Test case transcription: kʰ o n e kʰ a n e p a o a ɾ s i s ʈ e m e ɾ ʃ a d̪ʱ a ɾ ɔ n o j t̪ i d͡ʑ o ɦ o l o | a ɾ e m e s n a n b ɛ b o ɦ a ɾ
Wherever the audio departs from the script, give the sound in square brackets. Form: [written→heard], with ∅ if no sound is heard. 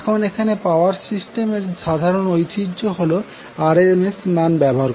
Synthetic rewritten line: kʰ o n e kʰ a n e p a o a ɾ s i s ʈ e m e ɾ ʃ a d̪ʱ a ɾ [ɔ→o] n o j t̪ i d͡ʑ o ɦ o l o | a ɾ e m e s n a n b ɛ b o ɦ a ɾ